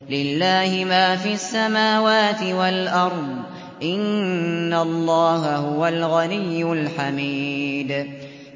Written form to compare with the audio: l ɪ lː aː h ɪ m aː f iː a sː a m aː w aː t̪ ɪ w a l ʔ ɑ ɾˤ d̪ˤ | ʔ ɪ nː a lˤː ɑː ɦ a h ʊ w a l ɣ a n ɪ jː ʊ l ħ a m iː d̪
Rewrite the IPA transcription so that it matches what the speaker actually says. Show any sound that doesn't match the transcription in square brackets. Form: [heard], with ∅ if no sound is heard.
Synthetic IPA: l ɪ lː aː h ɪ m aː f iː a sː a m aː w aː t̪ ɪ w a l ʔ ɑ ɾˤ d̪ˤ | ʔ ɪ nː a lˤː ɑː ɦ a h ʊ w a l ɣ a n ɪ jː ʊ l ħ a m iː d̪